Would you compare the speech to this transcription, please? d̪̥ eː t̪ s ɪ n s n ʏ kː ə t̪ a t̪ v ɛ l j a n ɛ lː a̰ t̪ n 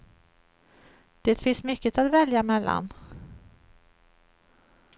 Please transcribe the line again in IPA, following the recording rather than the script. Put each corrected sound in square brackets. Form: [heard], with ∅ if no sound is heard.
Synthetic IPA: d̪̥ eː t̪ [f] ɪ n s [m] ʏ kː ə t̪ a t̪ v ɛ l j a [m] ɛ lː a̰ [∅] n